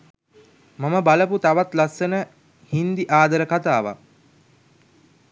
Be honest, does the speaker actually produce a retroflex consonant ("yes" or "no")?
no